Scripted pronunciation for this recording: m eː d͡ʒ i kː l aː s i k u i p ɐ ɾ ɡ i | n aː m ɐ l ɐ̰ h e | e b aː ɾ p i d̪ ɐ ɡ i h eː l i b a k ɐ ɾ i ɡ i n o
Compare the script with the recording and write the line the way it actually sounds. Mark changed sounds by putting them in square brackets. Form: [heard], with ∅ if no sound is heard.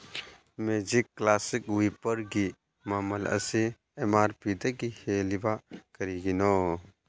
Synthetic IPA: m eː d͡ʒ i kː l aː s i k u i p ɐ ɾ ɡ i | [m] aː m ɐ l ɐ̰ [s] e | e [m] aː ɾ p i d̪ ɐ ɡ i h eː l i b a k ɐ ɾ i ɡ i n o

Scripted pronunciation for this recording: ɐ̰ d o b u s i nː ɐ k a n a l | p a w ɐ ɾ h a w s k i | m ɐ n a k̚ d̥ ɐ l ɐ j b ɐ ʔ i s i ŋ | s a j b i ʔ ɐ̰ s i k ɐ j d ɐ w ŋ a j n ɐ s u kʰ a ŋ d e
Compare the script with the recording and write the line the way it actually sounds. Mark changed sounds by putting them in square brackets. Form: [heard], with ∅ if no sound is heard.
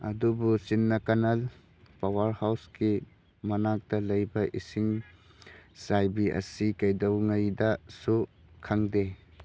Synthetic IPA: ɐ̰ d [u] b u s i nː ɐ k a n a l | p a w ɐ ɾ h a w s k i | m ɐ n a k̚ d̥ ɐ l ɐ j b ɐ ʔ i s i ŋ | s a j b i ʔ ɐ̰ s i k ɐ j d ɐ w ŋ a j [d] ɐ s u kʰ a ŋ d e

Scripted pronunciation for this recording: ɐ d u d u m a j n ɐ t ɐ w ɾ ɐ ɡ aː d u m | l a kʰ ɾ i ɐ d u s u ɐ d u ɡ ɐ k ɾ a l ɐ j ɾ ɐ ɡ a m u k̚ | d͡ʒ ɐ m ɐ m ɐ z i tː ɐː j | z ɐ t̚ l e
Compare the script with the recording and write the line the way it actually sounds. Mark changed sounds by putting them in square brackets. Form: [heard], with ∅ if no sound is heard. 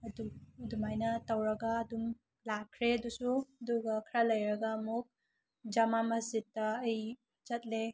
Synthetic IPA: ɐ d u d u m a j n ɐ t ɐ w ɾ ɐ ɡ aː d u m | l a kʰ ɾ [e] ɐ d u s u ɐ d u ɡ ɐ [kʰ] ɾ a l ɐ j ɾ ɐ ɡ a m u k̚ | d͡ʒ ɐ m [a] m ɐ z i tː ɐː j | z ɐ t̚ l e

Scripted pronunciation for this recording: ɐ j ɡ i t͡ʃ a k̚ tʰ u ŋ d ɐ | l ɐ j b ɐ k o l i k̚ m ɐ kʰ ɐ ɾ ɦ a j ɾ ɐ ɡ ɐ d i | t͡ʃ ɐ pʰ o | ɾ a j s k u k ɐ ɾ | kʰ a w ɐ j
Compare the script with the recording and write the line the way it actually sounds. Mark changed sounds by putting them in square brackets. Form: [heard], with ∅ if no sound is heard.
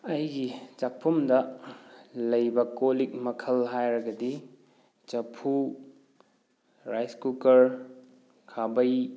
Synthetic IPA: ɐ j ɡ i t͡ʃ a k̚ [pʰ] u [m] d ɐ | l ɐ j b ɐ k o l i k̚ m ɐ kʰ ɐ [l] ɦ a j ɾ ɐ ɡ ɐ d i | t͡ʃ ɐ pʰ [u] | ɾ a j s k u k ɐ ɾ | kʰ a [b] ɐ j

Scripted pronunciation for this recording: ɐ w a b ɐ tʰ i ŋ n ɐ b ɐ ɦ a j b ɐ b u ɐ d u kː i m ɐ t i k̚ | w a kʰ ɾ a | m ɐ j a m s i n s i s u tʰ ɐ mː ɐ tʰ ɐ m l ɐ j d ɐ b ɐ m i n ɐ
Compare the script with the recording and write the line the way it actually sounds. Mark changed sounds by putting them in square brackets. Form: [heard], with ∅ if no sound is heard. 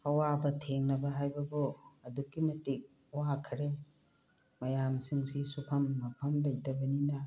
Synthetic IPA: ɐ w a b ɐ tʰ [e] ŋ n ɐ b ɐ ɦ a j b ɐ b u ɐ d u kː i m ɐ t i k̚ | w a kʰ ɾ [e] | m ɐ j a m s i [ŋ] s i s u [pʰ] ɐ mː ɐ [pʰ] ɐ m l ɐ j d ɐ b ɐ [n] i n ɐ

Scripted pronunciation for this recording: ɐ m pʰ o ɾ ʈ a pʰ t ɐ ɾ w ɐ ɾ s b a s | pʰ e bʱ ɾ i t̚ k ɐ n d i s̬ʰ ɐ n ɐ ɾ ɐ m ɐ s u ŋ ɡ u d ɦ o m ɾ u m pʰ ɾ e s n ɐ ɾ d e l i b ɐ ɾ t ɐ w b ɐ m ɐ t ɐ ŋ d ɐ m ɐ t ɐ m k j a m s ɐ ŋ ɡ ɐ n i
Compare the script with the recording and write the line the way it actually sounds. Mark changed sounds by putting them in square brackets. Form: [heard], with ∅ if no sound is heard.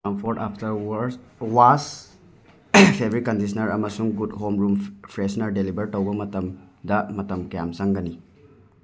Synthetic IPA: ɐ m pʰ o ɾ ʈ a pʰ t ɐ ɾ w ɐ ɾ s [w] a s | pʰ e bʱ ɾ i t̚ k ɐ n d i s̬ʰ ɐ n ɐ ɾ ɐ m ɐ s u ŋ ɡ u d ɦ o m ɾ u m pʰ ɾ e s n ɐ ɾ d e l i b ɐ ɾ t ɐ w b ɐ m ɐ t ɐ [m] d ɐ m ɐ t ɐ m k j a m s ɐ ŋ ɡ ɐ n i

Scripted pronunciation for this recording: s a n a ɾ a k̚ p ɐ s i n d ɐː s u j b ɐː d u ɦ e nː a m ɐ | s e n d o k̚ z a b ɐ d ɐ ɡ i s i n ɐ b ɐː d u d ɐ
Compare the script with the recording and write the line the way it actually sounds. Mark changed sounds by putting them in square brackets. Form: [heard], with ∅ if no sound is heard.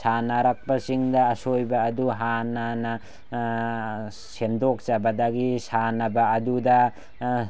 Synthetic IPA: s a n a ɾ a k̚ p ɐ s i [ŋ] d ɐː s [o] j b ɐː d u ɦ [a] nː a [n] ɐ | s e n d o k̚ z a b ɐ d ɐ ɡ i s [a] n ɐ b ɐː d u d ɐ

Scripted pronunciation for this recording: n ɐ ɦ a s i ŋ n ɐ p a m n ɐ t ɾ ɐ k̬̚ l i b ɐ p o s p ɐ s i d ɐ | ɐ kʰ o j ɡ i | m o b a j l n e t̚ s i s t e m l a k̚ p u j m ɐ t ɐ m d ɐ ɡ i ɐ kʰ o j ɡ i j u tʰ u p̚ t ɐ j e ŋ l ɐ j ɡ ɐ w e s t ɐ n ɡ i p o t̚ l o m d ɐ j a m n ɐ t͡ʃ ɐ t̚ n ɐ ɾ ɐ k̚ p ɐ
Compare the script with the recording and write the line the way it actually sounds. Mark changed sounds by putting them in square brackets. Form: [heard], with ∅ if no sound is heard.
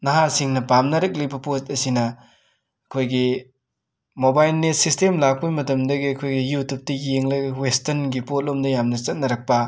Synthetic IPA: n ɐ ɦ a s i ŋ n ɐ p a m n ɐ [∅] ɾ ɐ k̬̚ l i b ɐ p o s [t] ɐ s i [n] ɐ | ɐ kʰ o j ɡ i | m o b a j l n e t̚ s i s t e m l a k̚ p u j m ɐ t ɐ m d ɐ ɡ i ɐ kʰ o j ɡ i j u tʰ u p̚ t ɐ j e ŋ l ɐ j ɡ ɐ w e s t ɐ n ɡ i p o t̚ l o m d ɐ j a m n ɐ t͡ʃ ɐ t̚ n ɐ ɾ ɐ k̚ p ɐ

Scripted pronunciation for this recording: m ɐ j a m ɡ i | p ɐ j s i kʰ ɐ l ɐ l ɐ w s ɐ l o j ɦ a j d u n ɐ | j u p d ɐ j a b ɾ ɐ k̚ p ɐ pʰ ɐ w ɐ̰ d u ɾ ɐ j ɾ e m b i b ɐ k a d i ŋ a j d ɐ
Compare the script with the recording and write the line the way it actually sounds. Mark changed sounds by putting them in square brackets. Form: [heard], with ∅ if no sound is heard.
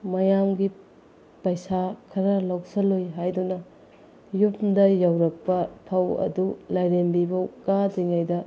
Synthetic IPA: m ɐ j a m ɡ i | p ɐ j s [a] kʰ ɐ [ɾ] ɐ l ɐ w s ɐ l o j ɦ a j d u n ɐ | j u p d ɐ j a [w] ɾ ɐ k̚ p ɐ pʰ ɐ w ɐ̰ d u [l] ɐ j ɾ e m b i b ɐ k a d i ŋ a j d ɐ

